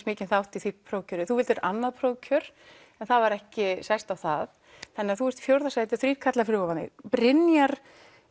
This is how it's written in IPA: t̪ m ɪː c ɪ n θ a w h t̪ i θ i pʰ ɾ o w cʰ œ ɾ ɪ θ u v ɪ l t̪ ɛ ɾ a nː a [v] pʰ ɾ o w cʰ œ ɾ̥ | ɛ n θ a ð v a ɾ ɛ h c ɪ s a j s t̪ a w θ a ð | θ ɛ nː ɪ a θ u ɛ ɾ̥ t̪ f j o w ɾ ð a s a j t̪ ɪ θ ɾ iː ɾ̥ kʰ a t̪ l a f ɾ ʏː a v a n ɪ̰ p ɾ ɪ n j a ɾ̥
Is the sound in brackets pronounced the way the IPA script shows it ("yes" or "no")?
no